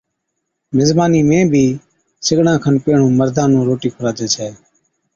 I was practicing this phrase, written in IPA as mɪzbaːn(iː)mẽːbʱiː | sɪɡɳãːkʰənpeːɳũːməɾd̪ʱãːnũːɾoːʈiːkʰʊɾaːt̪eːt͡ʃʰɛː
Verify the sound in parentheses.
correct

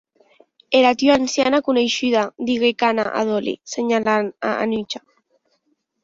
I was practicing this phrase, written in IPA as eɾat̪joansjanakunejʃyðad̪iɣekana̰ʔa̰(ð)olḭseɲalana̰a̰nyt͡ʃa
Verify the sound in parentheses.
correct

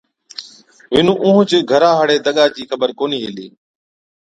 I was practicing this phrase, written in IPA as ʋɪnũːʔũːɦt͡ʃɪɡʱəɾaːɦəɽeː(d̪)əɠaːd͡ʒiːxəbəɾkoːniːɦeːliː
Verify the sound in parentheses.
correct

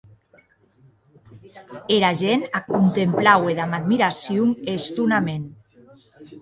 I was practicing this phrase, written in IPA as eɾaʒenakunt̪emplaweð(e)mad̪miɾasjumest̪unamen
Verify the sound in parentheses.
incorrect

